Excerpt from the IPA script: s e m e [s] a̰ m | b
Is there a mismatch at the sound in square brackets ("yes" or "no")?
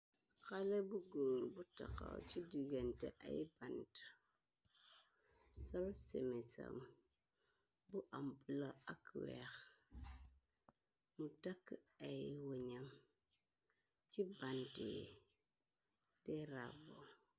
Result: no